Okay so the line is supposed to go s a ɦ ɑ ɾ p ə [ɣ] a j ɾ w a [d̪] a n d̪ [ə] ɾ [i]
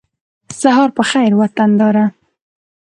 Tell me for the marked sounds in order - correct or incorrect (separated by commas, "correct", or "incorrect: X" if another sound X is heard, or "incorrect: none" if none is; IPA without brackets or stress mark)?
incorrect: x, incorrect: t̪, incorrect: ɑ, incorrect: a